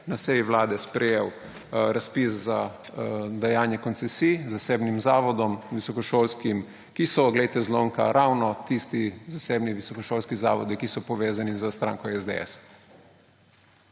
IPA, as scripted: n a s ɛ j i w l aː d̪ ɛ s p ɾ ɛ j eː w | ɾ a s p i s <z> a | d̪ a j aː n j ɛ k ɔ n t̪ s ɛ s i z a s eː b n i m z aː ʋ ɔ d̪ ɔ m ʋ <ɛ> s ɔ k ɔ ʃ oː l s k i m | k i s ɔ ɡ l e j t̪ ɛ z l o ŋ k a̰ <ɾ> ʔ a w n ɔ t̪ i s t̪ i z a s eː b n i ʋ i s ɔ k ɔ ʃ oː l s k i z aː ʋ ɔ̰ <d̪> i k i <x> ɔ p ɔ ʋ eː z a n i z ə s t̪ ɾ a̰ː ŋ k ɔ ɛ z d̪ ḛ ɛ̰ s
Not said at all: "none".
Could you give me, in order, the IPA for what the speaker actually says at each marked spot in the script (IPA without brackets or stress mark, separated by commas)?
z, i, ɾ, d̪, s